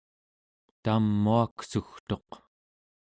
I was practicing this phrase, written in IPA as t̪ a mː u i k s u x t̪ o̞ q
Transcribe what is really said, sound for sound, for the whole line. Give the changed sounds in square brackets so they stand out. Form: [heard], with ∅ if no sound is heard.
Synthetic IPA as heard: t̪ a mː u [a] k s u x t̪ o̞ q